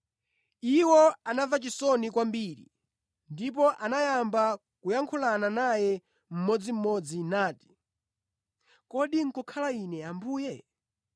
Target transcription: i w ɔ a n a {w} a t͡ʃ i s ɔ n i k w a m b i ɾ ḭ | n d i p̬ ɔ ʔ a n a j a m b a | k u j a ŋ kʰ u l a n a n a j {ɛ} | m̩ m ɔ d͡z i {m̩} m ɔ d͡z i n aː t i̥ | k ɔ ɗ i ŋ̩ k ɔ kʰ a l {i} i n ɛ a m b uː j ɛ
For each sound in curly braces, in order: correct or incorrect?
incorrect: v, correct, correct, incorrect: a

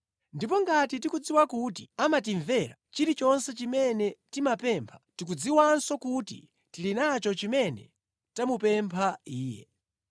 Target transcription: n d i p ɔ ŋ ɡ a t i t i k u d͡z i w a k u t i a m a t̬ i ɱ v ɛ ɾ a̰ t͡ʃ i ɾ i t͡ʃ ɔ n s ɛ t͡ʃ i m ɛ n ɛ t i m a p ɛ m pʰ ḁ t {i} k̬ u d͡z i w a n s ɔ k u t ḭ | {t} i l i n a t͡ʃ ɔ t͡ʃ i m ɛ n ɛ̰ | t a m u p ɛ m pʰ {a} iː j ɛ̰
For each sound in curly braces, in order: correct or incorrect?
correct, correct, correct

